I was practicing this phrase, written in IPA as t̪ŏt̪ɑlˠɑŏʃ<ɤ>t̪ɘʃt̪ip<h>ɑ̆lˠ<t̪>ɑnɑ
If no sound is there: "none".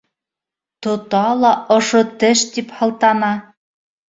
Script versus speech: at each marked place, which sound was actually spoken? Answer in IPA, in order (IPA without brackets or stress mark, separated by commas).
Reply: o, h, t̪